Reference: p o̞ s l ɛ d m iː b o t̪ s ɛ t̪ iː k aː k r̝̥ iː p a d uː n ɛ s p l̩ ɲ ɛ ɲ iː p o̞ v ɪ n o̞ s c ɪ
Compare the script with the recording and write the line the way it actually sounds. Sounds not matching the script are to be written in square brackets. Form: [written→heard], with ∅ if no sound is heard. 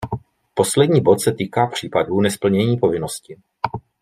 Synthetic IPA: p o̞ s l ɛ d [m→ɲ] iː b o t̪ s ɛ t̪ iː k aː [k→p] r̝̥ iː p a d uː n ɛ s p l̩ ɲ ɛ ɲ iː p o̞ v ɪ n o̞ s c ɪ